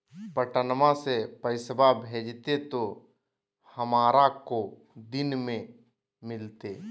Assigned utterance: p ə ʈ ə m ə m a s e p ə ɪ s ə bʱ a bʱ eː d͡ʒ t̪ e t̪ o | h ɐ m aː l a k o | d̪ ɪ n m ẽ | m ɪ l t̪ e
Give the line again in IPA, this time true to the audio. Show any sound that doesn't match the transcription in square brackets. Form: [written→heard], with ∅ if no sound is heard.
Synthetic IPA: p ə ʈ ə [m→n] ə m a s e p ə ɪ s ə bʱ a bʱ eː d͡ʒ t̪ e t̪ o | h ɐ m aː [l→ɾ] a k o | d̪ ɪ n m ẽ | m ɪ l t̪ e